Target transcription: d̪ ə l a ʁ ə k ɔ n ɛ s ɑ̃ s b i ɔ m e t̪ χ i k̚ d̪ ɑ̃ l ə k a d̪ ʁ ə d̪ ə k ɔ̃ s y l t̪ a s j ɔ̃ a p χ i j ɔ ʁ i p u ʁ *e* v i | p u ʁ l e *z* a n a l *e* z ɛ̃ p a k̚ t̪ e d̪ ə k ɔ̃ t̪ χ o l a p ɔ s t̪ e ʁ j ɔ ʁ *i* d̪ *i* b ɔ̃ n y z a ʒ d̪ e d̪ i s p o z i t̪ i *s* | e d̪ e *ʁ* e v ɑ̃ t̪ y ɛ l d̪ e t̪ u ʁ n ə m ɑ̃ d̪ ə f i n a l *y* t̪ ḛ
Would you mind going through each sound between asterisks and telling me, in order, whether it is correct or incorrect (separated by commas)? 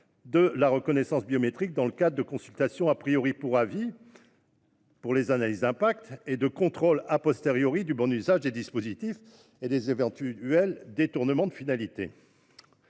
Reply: incorrect, correct, incorrect, correct, incorrect, incorrect, incorrect, incorrect